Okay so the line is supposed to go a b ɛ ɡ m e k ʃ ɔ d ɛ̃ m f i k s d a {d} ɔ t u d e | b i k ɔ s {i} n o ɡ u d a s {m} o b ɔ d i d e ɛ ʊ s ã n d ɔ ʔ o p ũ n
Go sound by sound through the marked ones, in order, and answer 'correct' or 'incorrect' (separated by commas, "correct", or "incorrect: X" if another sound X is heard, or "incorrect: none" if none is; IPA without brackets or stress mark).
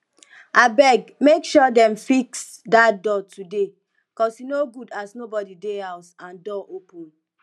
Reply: correct, correct, incorrect: n